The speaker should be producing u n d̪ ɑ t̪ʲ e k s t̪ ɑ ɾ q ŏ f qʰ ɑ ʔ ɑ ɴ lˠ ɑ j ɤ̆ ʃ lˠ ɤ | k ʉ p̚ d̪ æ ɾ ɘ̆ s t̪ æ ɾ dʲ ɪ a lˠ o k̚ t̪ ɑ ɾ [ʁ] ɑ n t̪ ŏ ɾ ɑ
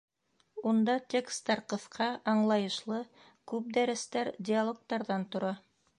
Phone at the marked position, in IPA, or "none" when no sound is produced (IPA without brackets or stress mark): ð